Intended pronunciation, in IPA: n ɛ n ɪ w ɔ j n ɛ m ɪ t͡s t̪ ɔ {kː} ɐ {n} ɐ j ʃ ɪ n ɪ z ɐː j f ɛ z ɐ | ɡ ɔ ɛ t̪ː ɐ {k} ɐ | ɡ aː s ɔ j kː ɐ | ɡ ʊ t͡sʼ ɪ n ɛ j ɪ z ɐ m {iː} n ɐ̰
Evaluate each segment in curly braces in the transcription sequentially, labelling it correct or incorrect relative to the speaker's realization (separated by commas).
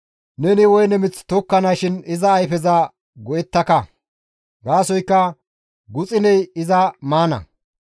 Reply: correct, correct, correct, incorrect